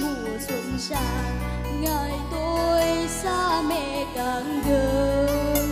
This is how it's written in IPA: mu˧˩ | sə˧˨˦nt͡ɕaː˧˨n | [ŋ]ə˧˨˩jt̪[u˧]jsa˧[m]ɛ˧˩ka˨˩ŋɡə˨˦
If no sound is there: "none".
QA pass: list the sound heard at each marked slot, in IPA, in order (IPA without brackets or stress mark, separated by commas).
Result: ŋ, o˧, m